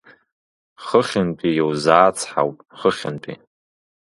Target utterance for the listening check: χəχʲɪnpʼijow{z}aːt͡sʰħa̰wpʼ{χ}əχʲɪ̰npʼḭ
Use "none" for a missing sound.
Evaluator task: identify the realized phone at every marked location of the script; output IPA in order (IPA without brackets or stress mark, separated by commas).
z, χ